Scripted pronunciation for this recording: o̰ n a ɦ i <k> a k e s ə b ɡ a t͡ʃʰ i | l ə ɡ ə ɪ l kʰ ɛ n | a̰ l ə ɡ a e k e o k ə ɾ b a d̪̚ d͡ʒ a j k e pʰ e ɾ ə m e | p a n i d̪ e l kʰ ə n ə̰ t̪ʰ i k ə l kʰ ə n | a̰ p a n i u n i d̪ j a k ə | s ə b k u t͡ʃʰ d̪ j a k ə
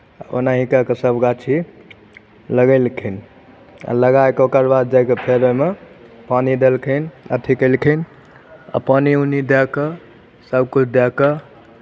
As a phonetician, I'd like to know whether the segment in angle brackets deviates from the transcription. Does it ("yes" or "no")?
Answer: no